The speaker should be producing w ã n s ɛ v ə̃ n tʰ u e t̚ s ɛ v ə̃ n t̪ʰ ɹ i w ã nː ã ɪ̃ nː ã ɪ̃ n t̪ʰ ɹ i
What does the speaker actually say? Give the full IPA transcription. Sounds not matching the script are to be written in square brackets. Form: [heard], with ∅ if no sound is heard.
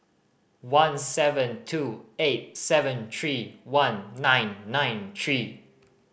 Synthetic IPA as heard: w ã n s ɛ v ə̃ n tʰ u e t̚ s ɛ v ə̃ n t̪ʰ ɹ i w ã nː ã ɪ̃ nː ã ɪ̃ n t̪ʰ ɹ i

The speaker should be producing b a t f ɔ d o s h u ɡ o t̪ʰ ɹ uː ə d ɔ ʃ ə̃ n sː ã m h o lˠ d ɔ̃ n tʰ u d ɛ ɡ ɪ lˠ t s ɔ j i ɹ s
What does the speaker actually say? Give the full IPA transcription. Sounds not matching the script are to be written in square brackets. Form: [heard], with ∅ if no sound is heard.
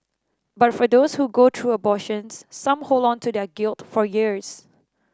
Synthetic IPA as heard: b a t f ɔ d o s h u ɡ o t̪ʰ ɹ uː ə [b] ɔ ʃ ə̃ n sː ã m h o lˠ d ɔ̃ n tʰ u d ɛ ɡ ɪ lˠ t [f] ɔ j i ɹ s

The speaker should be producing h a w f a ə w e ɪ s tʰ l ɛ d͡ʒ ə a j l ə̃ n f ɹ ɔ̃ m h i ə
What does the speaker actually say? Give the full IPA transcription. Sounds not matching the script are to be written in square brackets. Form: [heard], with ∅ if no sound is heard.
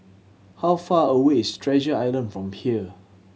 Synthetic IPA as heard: h a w f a ə w e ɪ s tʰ [ɹ] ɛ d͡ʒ ə a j l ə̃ n f ɹ ɔ̃ m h i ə

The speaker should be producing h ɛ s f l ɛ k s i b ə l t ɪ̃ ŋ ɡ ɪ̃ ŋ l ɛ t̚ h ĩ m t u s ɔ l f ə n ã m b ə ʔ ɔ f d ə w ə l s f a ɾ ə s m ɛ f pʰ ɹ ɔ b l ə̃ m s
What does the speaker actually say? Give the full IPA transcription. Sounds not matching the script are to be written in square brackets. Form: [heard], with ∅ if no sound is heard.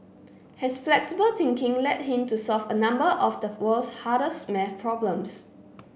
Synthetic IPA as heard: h ɛ s f l ɛ k s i b ə l t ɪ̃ ŋ [k] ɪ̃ ŋ l ɛ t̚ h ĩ m t u s ɔ l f ə n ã m b ə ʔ ɔ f d ə w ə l s [h] a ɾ ə s m ɛ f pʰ ɹ ɔ b l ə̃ m s

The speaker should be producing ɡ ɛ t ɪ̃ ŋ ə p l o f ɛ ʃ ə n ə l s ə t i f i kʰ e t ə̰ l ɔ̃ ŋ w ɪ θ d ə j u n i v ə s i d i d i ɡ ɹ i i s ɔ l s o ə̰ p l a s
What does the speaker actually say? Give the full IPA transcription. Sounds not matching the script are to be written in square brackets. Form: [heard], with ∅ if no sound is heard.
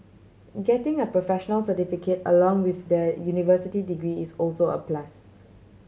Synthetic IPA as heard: ɡ ɛ t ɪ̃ ŋ ə p [ɹ] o f ɛ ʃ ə n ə l s ə t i f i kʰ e t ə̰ l ɔ̃ ŋ w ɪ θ d ə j u n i v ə s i [t] i d i ɡ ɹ i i s ɔ l s o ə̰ p l a s

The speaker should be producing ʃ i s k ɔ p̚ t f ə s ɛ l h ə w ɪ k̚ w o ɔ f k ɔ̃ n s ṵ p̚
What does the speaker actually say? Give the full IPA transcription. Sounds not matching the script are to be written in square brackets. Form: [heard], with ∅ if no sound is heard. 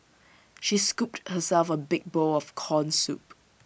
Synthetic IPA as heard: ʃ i s k [u] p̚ t [h] ə s ɛ l [f] ə [b] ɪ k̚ [b] o ɔ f [kʰ] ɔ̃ n s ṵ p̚

